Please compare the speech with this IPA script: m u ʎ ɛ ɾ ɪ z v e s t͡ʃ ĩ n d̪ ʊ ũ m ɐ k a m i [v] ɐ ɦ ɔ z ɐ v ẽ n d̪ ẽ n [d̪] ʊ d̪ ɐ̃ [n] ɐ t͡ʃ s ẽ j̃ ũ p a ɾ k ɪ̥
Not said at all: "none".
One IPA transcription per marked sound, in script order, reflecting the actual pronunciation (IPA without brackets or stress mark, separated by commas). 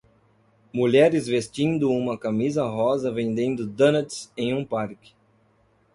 z, d̪, n